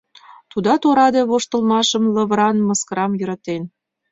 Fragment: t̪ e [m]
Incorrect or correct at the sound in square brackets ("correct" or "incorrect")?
incorrect